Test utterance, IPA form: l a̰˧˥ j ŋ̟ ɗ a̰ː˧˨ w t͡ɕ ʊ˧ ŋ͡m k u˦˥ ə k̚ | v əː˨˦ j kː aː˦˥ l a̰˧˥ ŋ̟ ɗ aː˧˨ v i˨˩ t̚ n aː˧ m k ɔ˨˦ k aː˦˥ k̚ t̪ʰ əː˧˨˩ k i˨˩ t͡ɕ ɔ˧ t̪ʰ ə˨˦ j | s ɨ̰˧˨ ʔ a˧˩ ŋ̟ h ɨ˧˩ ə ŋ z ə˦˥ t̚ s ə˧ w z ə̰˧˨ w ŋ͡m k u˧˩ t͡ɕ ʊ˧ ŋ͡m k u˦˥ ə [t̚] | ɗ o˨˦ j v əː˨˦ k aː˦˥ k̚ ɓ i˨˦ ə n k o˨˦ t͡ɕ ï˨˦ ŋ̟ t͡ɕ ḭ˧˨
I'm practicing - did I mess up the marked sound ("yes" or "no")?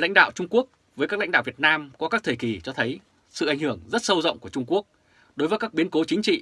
yes